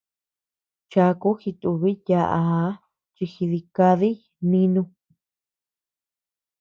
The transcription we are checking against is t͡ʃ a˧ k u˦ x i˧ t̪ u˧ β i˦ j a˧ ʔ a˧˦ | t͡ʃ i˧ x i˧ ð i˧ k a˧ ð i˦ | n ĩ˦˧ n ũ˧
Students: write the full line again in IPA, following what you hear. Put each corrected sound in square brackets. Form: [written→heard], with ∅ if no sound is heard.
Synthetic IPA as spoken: t͡ʃ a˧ k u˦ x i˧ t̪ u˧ β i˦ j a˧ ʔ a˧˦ | t͡ʃ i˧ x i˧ ð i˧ k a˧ ð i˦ | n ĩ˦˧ n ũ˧